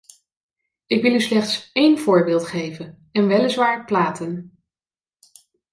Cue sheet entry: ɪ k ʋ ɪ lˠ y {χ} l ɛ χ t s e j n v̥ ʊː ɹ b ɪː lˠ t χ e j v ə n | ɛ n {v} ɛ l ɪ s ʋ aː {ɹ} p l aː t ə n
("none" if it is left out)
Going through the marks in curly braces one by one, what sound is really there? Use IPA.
s, ʋ, ɹ

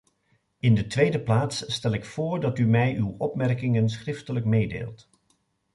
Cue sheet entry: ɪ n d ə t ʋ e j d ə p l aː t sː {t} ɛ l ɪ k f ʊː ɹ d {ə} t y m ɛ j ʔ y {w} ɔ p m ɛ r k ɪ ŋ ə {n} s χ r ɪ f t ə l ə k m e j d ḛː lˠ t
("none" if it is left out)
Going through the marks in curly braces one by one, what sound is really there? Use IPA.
t, ɑ, w, n

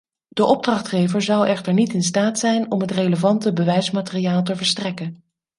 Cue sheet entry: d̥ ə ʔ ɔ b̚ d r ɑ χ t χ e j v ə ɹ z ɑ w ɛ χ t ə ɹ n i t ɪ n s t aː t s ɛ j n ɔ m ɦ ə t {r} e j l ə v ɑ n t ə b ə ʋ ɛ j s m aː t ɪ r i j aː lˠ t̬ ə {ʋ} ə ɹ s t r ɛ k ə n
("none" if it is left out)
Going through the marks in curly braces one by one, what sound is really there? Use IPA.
r, v

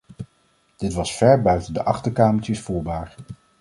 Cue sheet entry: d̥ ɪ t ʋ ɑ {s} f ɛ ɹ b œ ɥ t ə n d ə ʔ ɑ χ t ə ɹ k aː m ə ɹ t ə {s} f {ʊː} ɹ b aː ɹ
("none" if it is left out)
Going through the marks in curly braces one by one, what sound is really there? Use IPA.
s, s, uː

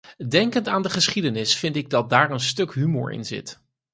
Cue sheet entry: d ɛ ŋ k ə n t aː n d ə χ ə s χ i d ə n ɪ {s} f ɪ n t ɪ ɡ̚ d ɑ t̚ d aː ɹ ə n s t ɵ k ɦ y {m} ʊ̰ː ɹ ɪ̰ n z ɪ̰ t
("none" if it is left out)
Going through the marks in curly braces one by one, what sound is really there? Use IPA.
s, m

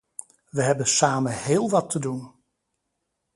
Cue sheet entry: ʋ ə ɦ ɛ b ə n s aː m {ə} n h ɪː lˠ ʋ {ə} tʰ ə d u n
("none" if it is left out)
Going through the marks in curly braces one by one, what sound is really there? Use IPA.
ə, ɑ

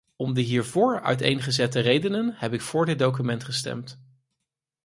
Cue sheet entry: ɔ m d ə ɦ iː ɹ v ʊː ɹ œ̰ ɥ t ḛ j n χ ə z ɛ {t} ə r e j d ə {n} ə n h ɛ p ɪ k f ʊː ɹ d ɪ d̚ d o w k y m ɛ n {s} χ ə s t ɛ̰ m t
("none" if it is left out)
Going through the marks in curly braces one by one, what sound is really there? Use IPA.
t, n, t

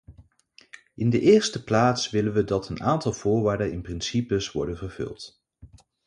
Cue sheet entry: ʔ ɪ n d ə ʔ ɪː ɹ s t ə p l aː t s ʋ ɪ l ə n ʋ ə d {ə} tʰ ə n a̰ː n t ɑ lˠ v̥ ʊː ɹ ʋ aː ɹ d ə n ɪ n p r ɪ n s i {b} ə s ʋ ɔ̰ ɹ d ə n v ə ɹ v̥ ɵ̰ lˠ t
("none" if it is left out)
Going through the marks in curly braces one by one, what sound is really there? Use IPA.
ɑ, p

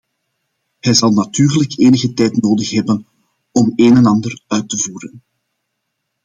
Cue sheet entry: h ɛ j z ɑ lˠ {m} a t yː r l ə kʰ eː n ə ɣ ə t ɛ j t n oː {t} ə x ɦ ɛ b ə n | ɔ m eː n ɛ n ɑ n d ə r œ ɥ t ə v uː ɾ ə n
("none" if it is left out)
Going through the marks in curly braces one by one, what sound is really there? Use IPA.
n, d

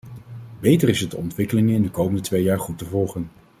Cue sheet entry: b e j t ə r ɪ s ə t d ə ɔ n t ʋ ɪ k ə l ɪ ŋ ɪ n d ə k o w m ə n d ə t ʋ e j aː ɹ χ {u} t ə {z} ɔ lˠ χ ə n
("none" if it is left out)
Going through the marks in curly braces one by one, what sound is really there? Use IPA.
u, v

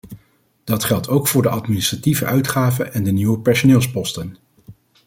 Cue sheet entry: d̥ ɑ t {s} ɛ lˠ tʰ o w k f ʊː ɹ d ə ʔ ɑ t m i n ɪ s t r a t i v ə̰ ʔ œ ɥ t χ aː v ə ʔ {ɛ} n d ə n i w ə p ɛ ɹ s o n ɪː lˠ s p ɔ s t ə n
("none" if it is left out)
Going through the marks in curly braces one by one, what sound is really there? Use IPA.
χ, ɛ

